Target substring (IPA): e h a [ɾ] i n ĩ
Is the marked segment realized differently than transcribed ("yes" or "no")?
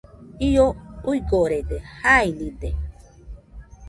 yes